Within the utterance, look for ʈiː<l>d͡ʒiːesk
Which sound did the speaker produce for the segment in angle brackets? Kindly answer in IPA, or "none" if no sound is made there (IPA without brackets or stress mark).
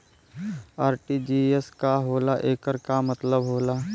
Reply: none